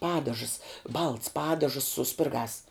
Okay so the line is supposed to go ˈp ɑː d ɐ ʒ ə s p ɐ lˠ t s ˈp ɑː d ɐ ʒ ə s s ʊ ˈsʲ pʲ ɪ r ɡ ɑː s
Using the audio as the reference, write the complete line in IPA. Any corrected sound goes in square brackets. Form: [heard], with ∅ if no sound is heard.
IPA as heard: ˈp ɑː d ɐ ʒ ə s [b] ɐ lˠ t s ˈp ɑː d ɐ ʒ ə s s ʊ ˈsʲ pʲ ɪ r ɡ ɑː s